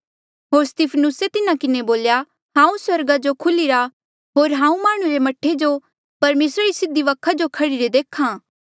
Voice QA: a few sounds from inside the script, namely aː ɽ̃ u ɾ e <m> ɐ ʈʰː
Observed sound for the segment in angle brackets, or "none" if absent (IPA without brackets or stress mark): m